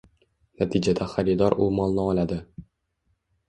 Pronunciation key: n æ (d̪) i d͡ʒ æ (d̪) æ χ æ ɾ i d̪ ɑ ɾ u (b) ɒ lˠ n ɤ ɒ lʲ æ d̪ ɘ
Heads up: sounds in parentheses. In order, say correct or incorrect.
incorrect: t̪, correct, incorrect: m

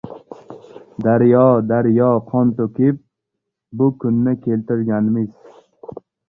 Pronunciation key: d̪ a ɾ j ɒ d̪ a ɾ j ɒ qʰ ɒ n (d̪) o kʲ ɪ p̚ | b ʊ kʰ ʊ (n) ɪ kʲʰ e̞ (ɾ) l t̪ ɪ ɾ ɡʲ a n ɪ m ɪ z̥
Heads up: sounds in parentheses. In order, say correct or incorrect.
incorrect: t̪, incorrect: nː, incorrect: none

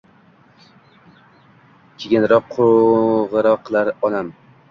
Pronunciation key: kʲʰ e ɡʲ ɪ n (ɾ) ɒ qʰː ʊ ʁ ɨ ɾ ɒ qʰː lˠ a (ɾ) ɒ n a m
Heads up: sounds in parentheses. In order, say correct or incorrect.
correct, correct

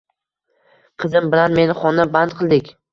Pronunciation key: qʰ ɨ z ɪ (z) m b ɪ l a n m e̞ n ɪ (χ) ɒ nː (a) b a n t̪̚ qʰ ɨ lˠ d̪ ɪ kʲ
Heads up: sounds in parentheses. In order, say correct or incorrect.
incorrect: none, correct, correct

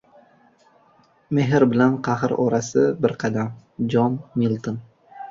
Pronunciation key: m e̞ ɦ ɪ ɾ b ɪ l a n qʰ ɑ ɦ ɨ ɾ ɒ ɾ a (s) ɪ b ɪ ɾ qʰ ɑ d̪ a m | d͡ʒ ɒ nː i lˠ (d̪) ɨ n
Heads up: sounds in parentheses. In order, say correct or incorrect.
correct, incorrect: t̪

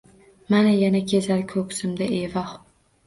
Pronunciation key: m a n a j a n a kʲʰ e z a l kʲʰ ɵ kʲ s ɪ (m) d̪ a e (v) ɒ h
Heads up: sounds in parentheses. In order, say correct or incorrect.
correct, correct

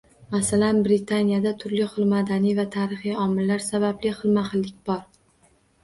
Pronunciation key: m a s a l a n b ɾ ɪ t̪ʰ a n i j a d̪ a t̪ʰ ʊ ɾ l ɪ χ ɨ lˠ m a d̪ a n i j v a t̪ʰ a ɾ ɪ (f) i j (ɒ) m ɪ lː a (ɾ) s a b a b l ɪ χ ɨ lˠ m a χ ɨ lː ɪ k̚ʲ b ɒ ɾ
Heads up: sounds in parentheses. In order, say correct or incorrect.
incorrect: χ, correct, correct

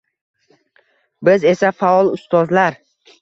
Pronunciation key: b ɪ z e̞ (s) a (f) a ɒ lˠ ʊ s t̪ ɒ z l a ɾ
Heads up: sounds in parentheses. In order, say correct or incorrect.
correct, correct

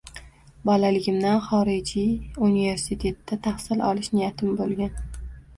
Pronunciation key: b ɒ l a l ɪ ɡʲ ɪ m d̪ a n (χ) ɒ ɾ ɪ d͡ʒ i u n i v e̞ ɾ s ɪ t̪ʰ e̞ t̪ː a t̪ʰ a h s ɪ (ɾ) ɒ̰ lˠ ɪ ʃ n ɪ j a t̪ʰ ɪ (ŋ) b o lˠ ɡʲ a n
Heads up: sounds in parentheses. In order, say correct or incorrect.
correct, incorrect: l, incorrect: m

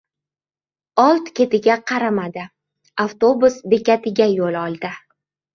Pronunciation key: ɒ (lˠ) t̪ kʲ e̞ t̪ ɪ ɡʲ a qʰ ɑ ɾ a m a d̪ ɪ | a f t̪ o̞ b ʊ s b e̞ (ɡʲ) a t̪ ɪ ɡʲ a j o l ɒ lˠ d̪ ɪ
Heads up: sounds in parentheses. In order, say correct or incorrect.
correct, incorrect: kʲ

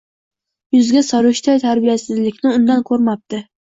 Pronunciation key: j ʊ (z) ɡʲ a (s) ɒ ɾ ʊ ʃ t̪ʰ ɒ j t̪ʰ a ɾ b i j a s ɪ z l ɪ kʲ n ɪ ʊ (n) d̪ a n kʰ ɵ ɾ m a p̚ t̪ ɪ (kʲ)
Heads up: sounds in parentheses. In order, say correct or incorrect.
correct, correct, correct, incorrect: none

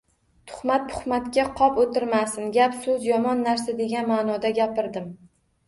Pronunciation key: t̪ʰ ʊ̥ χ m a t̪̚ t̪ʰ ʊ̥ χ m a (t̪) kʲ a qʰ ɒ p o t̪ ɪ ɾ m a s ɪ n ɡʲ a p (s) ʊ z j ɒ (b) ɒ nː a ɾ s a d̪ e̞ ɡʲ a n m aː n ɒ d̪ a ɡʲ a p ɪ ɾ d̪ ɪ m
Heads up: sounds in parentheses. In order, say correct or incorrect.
correct, correct, incorrect: m

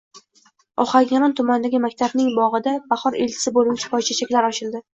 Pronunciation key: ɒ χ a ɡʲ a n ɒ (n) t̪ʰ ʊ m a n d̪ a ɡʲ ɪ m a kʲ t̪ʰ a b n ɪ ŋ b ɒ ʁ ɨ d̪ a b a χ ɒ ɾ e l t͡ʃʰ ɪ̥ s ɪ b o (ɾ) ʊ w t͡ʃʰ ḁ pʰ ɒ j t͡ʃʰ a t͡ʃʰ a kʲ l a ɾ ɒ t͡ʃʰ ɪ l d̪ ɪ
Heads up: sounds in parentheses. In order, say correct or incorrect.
correct, incorrect: l

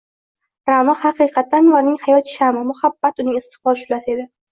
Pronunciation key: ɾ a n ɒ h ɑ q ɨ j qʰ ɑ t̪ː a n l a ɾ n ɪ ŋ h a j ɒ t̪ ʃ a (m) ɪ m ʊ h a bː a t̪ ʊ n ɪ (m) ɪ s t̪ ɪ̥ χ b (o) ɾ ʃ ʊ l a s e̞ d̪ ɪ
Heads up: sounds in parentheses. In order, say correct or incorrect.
correct, incorrect: ŋ, incorrect: ɒ

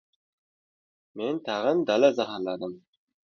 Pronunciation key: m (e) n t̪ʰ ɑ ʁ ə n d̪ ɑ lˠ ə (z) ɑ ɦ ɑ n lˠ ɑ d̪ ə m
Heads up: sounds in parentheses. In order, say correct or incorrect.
correct, correct

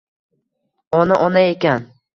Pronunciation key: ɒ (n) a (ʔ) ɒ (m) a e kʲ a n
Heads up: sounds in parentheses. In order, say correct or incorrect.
correct, correct, incorrect: n

